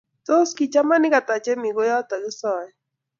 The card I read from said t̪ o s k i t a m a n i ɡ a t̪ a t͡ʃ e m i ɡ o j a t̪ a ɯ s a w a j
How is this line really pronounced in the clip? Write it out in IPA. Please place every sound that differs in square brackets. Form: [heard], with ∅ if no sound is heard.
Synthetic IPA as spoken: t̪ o s k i [t͡ʃ] a m a n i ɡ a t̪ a t͡ʃ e m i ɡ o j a t̪ a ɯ s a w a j